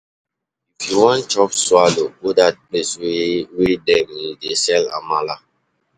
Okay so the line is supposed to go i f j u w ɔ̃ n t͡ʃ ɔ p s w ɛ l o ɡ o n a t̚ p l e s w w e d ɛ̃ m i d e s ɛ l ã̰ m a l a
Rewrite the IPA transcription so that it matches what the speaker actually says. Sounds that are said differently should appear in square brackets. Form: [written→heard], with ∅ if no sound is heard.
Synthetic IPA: i f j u w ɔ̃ n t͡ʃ ɔ p s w [ɛ→a] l o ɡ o [n→d] a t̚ p l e s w w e d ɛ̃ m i d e s ɛ l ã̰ m a l a